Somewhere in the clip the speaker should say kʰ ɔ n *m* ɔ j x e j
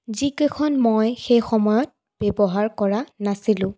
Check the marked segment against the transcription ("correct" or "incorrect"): correct